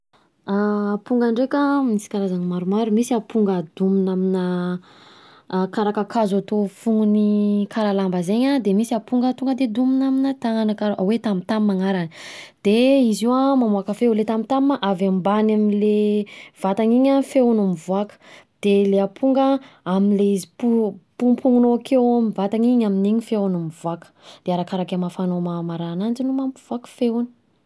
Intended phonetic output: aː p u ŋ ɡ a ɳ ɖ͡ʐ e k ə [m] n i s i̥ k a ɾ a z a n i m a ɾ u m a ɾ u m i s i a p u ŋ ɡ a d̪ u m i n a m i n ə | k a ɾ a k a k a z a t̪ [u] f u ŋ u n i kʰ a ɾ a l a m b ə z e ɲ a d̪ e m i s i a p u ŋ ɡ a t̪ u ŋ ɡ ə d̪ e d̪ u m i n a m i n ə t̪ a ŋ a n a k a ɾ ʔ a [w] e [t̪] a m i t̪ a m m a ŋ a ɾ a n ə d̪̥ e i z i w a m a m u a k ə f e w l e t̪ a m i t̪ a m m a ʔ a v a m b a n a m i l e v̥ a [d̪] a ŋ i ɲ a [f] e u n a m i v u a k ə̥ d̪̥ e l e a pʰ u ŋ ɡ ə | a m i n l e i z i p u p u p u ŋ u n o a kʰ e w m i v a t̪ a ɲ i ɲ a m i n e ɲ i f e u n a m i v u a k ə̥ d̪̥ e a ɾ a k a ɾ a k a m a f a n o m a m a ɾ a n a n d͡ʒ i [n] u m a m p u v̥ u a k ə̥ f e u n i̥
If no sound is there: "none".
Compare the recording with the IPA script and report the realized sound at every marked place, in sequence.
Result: m, o, w, t̪, t̪, f, n

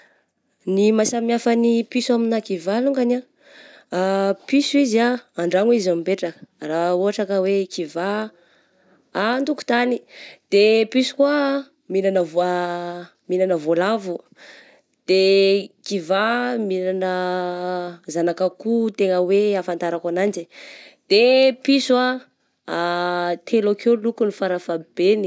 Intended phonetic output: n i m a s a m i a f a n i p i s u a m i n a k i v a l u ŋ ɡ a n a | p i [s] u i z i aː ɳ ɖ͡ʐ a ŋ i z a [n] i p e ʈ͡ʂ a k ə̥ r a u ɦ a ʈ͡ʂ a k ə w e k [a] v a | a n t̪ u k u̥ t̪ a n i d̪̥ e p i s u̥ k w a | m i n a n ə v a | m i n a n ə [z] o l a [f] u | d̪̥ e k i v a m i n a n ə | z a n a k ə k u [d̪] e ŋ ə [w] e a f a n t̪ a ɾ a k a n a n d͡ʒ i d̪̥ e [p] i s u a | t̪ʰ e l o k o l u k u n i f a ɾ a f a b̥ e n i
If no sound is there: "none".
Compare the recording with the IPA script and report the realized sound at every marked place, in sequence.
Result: s, m, i, v, v, t̪, w, p

